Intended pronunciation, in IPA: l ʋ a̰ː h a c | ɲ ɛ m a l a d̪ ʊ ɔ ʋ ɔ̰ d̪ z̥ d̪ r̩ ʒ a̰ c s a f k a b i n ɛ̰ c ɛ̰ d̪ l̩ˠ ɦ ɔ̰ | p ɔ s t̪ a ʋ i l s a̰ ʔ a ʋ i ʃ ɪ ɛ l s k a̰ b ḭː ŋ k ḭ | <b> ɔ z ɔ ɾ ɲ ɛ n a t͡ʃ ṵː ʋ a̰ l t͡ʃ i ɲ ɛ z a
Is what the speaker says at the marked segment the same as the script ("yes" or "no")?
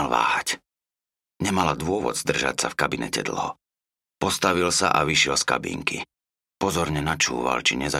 no